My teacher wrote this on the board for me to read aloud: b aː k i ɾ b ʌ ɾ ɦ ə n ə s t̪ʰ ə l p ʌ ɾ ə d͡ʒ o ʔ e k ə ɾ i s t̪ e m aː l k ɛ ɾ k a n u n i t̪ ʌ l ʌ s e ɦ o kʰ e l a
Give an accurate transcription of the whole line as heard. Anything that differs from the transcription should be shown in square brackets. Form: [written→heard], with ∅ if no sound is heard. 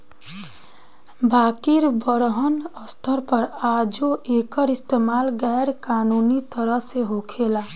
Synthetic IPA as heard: b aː k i ɾ b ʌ ɾ ɦ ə n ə s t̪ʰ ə [l→ɾ] p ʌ ɾ [ə→a] d͡ʒ o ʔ e k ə ɾ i s t̪ e m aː l [k→ɡ] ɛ ɾ k a n u n i t̪ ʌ [l→ɾ] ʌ s e ɦ o kʰ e l a